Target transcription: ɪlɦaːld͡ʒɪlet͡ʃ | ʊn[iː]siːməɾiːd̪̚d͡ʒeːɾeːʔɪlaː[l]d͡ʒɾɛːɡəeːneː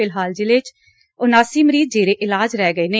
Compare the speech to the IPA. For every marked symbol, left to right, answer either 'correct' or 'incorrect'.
incorrect: aː, incorrect: none

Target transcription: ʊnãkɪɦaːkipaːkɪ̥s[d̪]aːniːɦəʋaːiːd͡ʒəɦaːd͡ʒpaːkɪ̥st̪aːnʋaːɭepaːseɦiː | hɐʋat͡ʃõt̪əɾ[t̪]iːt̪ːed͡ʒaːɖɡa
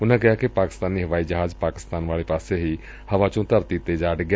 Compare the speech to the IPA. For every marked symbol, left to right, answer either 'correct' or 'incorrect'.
incorrect: t̪, correct

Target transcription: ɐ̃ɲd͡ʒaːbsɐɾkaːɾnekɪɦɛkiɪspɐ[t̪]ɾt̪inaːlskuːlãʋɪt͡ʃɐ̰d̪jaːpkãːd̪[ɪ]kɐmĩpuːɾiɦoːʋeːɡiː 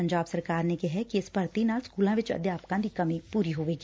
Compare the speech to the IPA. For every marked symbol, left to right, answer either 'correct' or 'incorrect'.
incorrect: none, incorrect: i

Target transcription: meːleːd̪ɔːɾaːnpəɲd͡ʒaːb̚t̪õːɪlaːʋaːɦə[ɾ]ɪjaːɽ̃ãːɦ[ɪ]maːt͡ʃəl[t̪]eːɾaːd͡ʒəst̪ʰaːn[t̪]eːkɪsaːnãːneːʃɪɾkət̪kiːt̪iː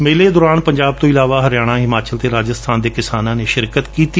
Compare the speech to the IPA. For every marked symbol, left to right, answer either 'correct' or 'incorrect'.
correct, correct, correct, incorrect: d̪

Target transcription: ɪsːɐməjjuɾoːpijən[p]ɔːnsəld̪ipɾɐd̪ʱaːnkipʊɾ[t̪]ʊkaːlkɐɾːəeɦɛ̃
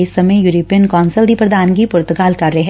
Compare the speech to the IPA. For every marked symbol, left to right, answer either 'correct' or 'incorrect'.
incorrect: k, correct

